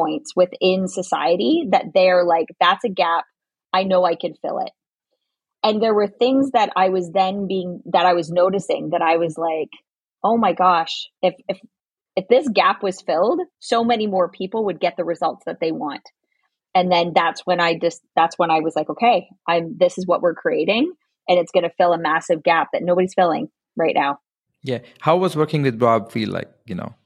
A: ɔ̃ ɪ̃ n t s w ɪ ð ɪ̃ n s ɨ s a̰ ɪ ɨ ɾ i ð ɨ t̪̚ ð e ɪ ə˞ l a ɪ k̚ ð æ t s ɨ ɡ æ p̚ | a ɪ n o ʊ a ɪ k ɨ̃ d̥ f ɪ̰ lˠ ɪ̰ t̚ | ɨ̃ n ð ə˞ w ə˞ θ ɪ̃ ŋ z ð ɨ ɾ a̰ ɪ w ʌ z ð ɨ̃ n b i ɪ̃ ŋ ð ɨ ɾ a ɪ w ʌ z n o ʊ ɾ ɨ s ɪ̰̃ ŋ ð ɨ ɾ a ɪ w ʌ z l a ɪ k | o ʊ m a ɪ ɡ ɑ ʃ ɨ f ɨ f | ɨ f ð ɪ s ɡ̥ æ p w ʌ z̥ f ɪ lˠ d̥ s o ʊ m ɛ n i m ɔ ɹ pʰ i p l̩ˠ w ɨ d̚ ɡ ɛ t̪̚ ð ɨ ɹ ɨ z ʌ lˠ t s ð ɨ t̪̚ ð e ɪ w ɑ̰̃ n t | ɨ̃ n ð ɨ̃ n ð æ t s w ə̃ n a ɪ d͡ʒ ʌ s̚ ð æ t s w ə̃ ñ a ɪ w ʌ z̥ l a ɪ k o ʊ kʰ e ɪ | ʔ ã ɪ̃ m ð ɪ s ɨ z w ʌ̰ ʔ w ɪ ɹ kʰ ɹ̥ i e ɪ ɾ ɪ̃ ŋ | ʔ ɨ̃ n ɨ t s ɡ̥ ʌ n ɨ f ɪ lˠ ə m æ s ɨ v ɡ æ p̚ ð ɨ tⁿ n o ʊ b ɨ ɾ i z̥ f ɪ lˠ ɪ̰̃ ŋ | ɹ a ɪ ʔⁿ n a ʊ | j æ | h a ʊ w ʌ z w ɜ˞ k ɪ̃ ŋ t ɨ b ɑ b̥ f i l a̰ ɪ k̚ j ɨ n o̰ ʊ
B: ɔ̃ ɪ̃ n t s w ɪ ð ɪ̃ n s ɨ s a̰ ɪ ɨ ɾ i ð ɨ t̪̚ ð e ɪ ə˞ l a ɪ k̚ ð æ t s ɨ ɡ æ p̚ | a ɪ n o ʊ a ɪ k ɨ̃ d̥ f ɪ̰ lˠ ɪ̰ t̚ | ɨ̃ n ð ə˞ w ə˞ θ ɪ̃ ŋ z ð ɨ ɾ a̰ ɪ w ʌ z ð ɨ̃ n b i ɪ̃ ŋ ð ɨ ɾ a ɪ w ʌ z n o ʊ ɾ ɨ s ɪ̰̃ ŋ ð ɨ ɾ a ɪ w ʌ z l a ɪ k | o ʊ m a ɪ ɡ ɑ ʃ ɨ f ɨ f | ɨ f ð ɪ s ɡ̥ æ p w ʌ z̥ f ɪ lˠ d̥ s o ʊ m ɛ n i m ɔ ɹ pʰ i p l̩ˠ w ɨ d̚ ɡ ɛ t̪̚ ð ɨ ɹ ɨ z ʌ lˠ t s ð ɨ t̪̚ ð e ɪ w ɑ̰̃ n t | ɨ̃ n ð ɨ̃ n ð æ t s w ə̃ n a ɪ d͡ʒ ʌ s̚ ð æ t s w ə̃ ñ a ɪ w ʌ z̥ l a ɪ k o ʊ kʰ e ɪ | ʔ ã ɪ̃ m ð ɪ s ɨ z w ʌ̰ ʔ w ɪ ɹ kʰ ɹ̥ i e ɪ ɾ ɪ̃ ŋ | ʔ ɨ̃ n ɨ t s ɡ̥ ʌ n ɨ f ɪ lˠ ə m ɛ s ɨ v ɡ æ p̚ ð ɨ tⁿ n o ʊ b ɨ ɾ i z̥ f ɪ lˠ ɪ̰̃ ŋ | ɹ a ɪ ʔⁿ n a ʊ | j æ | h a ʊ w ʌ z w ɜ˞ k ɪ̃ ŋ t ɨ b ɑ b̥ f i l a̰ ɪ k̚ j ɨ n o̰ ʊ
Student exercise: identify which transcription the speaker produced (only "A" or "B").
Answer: A